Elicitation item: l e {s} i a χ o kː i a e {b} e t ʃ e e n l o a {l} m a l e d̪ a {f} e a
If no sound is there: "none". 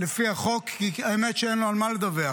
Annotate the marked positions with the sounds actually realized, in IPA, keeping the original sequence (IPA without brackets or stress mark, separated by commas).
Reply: f, m, l, v